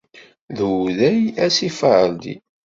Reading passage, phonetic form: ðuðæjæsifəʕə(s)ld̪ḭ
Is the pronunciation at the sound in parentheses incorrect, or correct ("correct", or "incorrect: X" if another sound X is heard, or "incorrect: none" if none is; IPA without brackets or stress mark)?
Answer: incorrect: none